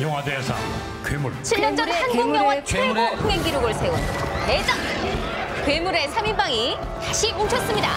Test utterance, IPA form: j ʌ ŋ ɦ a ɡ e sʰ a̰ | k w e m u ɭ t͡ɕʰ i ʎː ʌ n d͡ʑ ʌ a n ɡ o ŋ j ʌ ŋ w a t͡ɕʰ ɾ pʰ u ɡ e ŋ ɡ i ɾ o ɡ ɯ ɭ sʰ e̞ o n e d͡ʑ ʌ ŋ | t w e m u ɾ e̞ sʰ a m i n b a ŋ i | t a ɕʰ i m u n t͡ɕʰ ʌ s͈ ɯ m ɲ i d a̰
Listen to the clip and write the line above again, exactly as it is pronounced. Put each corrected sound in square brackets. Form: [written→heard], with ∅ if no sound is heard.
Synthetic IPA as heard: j ʌ ŋ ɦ a [ɡ→d] e sʰ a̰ | k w e m u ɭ t͡ɕʰ i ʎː ʌ n d͡ʑ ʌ a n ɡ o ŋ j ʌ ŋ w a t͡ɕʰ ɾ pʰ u [ɡ→ŋ] e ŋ ɡ i ɾ o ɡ ɯ ɭ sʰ e̞ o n e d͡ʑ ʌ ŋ | [t→k] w e m u ɾ e̞ sʰ a m i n b a ŋ i | t a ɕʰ i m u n t͡ɕʰ ʌ s͈ ɯ m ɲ i d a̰